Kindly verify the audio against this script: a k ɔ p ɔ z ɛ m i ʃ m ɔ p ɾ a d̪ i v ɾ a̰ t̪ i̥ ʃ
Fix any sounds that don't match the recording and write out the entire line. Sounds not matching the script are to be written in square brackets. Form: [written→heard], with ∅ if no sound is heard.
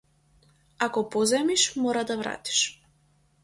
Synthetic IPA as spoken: a k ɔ p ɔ z ɛ m i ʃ m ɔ [p→∅] ɾ a d̪ [i→a] v ɾ a̰ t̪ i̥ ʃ